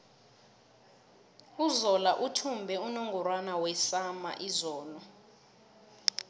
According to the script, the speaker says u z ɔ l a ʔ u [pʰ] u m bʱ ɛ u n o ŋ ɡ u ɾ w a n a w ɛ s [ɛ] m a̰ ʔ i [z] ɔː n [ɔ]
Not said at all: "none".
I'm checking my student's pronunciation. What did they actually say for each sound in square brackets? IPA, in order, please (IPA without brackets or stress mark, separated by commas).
tʰ, a, z, ɔ